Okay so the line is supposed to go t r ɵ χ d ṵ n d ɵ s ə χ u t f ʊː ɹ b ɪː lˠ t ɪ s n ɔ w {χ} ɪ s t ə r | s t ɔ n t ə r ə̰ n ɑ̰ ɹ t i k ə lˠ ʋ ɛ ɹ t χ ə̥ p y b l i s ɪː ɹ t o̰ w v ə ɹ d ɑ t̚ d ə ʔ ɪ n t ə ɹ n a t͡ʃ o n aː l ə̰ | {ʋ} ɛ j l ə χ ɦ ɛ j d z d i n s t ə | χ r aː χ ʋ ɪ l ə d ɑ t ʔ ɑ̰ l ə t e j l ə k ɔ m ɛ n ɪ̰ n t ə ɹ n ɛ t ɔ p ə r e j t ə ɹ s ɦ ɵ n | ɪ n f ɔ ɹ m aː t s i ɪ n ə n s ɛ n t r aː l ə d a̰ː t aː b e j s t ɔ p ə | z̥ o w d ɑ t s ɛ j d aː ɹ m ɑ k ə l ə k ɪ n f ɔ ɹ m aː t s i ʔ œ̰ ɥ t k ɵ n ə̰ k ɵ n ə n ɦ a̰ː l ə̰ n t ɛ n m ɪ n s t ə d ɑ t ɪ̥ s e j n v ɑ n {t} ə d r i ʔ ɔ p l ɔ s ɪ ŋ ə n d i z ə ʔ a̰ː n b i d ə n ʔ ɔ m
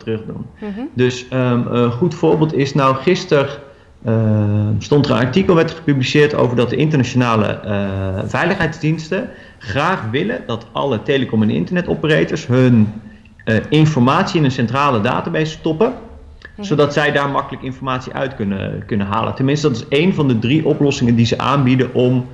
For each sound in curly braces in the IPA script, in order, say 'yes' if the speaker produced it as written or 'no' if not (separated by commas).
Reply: yes, no, no